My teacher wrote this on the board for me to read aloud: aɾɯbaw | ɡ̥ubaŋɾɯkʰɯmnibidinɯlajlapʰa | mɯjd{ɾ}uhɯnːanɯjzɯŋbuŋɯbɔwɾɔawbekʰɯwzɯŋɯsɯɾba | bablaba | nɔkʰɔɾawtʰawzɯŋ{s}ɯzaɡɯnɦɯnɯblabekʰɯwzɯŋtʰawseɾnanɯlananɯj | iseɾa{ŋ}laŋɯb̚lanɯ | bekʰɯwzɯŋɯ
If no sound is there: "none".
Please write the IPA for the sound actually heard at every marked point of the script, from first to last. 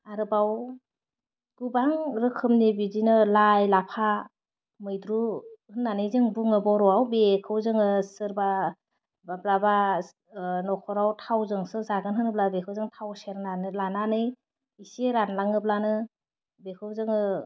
ɾ, s, n

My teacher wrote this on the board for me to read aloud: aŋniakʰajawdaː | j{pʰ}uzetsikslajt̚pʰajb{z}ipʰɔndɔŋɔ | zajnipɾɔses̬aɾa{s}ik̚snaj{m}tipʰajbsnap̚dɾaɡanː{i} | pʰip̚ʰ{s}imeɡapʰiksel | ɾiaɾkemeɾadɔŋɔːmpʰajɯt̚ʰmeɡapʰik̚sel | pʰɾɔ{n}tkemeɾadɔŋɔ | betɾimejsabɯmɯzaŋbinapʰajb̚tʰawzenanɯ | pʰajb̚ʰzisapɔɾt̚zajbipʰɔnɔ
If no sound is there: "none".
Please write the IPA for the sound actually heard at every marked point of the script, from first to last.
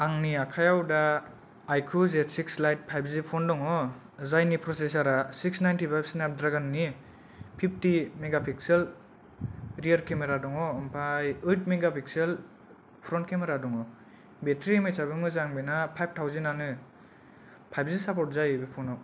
kʰ, z, s, n, i, t, n

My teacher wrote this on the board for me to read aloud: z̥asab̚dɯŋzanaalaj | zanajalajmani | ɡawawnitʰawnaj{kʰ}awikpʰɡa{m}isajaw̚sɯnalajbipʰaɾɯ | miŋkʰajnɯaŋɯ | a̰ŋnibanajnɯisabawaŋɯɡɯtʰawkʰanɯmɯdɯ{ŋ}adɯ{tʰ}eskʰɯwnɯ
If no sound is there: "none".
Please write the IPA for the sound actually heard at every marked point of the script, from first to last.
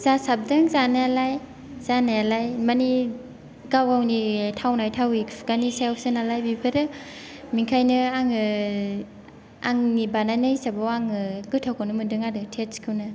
tʰ, n, ŋ, tʰ

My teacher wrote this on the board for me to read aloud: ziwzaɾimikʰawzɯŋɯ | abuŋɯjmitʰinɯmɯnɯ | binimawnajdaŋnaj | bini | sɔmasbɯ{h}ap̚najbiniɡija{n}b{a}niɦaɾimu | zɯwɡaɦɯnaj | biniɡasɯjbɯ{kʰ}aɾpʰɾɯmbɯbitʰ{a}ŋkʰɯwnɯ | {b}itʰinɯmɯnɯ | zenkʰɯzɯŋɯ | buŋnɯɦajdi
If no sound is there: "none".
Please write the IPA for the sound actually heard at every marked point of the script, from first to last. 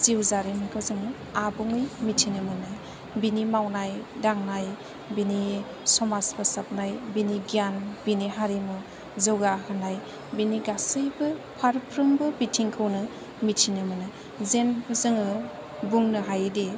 s, n, i, pʰ, i, m

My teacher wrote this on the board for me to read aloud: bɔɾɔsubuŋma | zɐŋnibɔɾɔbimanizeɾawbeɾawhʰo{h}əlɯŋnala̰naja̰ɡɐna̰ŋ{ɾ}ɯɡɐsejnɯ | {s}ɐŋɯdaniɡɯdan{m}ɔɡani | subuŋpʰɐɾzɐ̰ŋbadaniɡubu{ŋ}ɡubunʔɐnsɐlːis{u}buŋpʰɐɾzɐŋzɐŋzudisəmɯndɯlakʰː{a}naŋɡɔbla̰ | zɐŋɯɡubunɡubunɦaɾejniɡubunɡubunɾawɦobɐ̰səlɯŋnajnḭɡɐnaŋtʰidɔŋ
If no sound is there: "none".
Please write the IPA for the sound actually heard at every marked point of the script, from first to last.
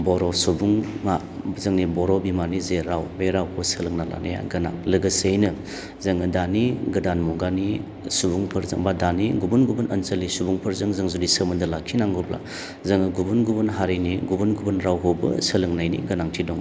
s, l, z, m, n, u, i

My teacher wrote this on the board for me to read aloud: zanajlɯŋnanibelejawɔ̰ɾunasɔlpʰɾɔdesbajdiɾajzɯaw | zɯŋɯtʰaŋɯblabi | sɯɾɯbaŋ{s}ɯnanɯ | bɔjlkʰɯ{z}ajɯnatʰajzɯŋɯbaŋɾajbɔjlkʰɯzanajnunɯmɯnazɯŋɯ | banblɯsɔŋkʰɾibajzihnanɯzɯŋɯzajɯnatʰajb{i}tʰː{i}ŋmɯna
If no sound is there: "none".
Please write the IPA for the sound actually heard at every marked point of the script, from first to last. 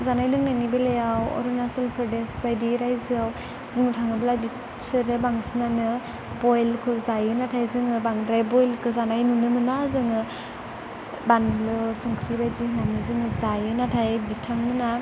s, z, i, a

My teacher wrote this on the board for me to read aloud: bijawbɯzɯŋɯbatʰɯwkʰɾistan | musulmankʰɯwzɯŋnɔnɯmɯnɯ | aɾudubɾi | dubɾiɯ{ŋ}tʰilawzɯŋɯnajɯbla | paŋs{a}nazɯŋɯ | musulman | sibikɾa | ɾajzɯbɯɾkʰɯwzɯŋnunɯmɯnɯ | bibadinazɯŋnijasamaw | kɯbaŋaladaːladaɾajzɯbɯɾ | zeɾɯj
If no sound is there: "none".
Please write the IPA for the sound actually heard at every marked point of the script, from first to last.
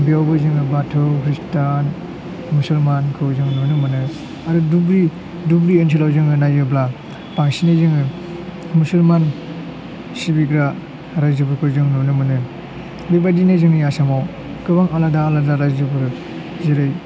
n, i

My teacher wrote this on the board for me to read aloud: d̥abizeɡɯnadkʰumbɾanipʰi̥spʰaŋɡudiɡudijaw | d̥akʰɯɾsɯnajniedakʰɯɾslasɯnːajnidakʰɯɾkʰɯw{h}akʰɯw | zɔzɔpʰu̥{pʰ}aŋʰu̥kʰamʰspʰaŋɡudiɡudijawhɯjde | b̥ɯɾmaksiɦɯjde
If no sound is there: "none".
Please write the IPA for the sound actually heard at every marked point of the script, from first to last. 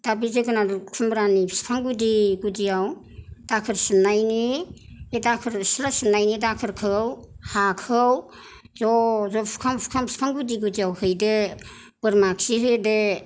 h, kʰ

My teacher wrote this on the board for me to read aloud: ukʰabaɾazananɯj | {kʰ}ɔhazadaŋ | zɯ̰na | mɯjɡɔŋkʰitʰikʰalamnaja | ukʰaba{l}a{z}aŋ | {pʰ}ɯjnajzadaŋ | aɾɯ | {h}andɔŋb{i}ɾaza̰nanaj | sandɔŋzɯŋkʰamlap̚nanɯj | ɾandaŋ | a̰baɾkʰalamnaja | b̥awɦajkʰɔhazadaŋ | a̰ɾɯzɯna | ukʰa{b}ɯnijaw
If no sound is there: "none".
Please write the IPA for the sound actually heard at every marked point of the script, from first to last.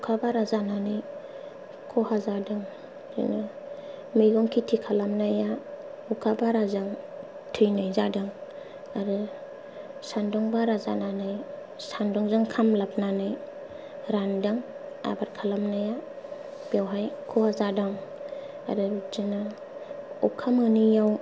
kʰ, ɾ, z, tʰ, s, a, m

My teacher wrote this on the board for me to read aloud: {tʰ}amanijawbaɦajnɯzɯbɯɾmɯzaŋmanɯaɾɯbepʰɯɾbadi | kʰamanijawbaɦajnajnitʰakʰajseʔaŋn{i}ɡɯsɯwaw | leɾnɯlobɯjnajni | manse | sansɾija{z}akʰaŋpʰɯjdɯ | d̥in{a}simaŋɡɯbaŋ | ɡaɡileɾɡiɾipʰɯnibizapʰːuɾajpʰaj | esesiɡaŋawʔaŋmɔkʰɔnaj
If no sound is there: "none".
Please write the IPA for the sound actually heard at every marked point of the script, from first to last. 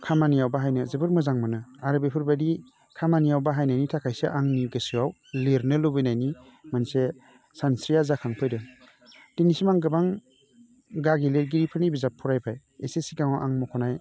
kʰ, i, z, i

